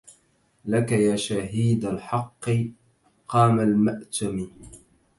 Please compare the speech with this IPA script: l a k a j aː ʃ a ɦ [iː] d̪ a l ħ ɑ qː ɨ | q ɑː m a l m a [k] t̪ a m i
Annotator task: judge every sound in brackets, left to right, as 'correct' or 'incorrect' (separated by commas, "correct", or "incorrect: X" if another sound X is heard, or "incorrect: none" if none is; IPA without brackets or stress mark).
correct, incorrect: ʔ